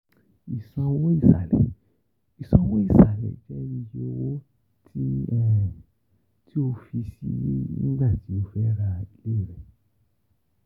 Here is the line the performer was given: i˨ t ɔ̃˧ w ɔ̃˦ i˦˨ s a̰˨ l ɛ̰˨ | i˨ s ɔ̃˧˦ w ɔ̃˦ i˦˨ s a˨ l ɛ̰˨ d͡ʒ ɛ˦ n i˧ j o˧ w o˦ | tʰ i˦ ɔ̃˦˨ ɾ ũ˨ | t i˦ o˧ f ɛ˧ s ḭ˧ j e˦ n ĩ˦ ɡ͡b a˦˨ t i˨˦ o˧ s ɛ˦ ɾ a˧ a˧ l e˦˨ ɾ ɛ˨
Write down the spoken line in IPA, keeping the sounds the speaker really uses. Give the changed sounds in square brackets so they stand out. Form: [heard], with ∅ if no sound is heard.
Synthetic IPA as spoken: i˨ [s] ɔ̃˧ w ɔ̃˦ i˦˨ s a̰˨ l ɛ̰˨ | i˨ s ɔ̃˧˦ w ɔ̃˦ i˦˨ s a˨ l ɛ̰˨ d͡ʒ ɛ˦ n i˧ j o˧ w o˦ | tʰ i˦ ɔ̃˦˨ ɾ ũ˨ | t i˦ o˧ f [i˧] s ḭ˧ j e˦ n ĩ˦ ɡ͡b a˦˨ t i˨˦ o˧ [f] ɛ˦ ɾ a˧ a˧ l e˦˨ ɾ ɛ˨

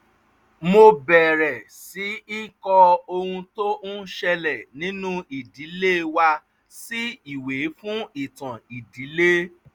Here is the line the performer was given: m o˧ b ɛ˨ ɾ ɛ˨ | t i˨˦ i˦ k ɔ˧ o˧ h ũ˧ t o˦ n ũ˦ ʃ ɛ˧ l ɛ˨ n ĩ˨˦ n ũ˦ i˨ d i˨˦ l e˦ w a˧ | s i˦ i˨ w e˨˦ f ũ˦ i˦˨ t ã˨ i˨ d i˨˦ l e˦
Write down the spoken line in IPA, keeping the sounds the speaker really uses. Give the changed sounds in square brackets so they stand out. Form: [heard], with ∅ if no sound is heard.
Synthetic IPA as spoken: m o˧ b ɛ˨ ɾ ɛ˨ | [s] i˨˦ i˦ k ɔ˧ o˧ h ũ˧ t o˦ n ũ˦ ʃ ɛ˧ l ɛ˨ n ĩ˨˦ n ũ˦ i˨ d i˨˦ l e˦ w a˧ | s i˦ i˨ w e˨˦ f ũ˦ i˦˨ t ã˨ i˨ d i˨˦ l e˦

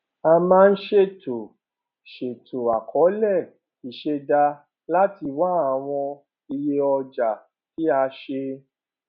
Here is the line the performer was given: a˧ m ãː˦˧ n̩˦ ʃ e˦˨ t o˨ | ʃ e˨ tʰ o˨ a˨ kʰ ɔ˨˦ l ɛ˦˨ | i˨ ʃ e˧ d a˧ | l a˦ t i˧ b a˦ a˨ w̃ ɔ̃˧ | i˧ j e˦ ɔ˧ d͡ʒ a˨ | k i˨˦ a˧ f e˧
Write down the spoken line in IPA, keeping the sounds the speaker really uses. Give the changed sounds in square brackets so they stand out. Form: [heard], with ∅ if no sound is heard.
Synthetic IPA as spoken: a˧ m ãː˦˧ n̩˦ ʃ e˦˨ t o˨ | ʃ e˨ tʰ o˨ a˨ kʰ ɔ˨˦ l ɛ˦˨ | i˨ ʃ e˧ d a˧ | l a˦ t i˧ [w] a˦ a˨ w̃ ɔ̃˧ | i˧ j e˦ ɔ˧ d͡ʒ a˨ | k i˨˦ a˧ [ʃ] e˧

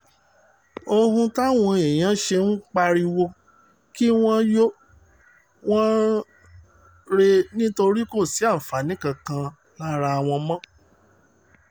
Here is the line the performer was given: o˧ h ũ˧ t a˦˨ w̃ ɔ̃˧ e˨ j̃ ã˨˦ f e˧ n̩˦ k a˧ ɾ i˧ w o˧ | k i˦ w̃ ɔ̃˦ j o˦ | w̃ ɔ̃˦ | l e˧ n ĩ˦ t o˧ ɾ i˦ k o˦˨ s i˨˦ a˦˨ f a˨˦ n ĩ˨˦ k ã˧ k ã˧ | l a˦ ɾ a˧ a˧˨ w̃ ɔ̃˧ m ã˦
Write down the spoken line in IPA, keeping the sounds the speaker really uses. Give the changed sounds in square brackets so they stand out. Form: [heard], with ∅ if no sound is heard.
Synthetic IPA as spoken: o˧ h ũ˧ t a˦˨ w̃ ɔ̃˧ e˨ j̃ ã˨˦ [ʃ] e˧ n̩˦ [k͡p] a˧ ɾ i˧ w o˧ | k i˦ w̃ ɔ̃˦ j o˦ | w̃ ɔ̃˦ | [ɾ] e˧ n ĩ˦ t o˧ ɾ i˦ k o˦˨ s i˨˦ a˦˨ f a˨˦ n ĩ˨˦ k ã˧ k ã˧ | l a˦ ɾ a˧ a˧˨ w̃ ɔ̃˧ m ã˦

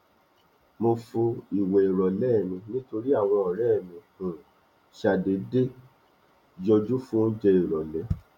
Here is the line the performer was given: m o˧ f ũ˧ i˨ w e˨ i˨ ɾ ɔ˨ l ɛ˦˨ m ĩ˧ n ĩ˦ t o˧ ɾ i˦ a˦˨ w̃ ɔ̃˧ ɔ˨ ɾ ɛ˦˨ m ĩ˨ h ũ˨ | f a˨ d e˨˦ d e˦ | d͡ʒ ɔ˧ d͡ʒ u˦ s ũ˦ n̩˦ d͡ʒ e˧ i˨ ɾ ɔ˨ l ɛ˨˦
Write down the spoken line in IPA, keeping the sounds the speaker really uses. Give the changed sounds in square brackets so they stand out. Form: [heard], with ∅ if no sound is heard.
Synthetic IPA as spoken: m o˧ f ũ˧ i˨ w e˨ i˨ ɾ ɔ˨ l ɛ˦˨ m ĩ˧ n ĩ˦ t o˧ ɾ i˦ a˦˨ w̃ ɔ̃˧ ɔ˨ ɾ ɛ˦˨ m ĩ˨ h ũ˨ | [ʃ] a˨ d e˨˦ d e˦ | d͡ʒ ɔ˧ d͡ʒ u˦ [f] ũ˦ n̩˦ d͡ʒ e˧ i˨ ɾ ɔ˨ l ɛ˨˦

